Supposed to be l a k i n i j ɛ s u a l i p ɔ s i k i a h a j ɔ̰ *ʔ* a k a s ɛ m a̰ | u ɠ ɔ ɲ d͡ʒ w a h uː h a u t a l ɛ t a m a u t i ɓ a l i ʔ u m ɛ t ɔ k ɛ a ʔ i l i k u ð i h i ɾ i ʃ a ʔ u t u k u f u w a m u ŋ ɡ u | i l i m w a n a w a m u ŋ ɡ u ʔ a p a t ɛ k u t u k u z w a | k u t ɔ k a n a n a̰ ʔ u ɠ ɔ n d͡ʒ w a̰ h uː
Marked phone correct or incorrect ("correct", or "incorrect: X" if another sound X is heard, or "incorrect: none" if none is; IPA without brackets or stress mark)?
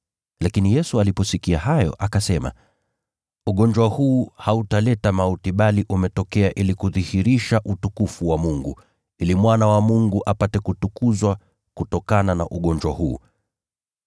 correct